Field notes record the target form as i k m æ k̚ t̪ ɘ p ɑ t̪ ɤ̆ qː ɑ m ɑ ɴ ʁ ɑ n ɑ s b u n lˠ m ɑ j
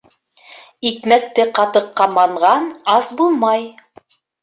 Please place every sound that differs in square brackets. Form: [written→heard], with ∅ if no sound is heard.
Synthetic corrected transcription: i k m æ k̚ t̪ ɘ [p→q] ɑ t̪ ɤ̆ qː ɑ m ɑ ɴ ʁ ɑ n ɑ s b u [n→∅] lˠ m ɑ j